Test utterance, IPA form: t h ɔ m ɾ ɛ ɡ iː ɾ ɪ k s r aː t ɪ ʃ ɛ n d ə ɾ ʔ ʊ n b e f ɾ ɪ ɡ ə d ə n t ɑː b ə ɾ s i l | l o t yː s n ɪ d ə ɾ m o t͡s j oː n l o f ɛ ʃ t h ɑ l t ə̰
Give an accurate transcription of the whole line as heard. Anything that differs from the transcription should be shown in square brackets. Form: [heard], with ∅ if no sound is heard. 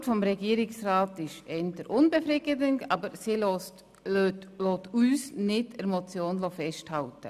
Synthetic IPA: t [f] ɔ m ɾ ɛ ɡ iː ɾ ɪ k s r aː t ɪ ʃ ɛ n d ə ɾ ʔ ʊ n b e f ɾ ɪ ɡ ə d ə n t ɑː b ə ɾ s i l | l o t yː s n ɪ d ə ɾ m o t͡s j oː n l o f ɛ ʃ t h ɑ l t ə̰

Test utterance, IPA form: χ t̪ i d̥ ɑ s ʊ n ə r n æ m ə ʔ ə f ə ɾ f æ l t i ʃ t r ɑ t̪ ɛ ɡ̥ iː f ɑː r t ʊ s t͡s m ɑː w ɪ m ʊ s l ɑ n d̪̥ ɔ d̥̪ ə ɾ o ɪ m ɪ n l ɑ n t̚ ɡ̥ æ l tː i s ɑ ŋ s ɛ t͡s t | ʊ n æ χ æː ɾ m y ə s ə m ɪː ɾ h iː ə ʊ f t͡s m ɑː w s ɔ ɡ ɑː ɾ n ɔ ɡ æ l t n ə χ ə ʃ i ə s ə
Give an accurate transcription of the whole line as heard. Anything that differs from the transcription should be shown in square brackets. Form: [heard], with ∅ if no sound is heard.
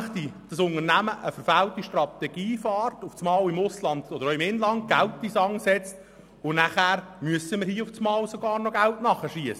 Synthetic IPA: χ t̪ i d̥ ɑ s ʊ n ə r n æ m ə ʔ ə f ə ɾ f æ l t i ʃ t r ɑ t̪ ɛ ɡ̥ iː f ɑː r t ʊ [f] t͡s m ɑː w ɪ m ʊ s l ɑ n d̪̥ ɔ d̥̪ ə ɾ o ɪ m ɪ n l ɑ n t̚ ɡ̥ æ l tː i s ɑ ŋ s ɛ t͡s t | ʊ n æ χ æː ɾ m y ə s ə m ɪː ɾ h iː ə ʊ f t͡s m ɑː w s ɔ ɡ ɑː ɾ n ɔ ɡ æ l t n [ɑ] χ ə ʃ i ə s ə

